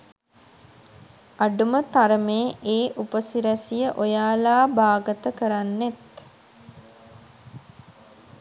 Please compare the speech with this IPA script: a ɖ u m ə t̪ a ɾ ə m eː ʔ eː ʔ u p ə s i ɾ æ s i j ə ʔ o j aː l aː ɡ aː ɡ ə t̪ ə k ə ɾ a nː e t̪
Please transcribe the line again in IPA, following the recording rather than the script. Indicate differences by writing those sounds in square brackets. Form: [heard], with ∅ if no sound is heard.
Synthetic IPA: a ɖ u m ə t̪ a ɾ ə m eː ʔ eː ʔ u p ə s i ɾ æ s i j ə ʔ o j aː l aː [b] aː ɡ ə t̪ ə k ə ɾ a nː e t̪